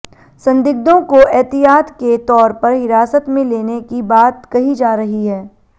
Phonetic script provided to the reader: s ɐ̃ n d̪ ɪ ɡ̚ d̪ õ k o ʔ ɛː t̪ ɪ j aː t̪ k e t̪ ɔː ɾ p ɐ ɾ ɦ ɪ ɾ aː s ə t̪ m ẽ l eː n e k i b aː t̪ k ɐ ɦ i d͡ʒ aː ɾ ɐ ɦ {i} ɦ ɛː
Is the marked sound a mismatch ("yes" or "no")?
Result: no